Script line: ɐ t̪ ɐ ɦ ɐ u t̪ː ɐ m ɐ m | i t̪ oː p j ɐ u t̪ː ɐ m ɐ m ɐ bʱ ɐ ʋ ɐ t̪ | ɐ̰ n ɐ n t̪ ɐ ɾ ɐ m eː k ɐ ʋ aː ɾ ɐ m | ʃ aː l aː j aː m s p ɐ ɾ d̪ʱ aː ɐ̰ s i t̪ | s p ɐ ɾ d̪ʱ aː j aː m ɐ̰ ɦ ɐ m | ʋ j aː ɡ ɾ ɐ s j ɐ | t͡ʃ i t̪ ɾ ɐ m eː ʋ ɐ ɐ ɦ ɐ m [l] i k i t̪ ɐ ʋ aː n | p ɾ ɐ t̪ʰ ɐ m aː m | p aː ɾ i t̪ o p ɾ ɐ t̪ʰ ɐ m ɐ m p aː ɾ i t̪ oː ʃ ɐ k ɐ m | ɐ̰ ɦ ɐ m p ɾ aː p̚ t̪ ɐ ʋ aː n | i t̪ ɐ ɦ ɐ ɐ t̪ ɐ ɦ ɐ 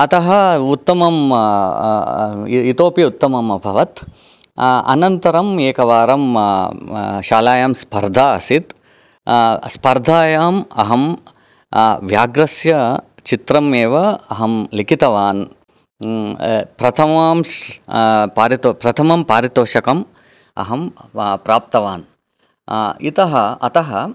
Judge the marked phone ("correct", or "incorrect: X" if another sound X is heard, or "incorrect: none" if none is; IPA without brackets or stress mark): correct